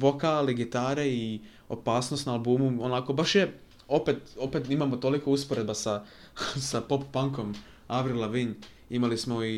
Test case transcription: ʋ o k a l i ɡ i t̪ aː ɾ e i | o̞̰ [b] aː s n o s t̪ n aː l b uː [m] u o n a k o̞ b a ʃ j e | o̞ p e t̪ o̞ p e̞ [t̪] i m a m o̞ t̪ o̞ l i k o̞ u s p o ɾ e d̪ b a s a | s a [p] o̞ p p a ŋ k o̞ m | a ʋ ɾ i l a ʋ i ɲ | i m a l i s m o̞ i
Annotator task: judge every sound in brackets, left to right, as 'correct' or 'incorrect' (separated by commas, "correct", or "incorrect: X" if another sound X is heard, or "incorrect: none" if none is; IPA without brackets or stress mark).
incorrect: p, correct, correct, correct